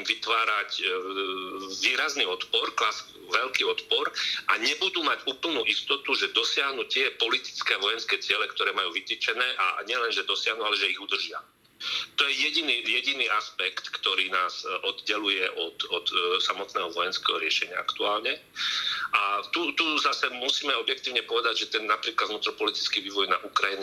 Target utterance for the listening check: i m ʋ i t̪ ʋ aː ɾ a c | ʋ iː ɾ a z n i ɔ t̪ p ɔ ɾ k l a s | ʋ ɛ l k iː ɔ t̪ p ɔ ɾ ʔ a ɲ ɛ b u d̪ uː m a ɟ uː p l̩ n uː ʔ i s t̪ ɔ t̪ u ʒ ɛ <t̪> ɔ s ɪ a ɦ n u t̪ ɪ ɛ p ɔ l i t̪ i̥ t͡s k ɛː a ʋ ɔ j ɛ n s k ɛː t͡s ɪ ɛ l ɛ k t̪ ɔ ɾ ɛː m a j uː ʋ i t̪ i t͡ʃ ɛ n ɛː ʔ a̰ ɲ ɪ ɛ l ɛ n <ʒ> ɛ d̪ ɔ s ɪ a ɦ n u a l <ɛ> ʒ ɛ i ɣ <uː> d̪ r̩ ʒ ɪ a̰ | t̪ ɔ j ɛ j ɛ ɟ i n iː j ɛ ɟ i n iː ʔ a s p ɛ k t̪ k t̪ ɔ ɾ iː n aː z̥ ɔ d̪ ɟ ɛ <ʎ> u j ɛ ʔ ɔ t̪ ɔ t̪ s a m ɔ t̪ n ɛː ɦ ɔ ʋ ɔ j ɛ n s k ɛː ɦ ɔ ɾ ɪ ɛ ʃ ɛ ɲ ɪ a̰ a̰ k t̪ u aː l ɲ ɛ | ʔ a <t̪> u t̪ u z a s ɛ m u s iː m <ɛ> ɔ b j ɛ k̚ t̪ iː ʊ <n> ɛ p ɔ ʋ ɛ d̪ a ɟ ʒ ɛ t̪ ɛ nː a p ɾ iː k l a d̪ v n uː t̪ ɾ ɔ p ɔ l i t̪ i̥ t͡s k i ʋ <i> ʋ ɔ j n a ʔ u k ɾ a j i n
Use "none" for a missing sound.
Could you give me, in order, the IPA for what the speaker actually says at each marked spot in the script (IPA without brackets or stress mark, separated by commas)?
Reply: d̪, ʒ, ɛ, u, l, t̪, ɛ, ɲ, iː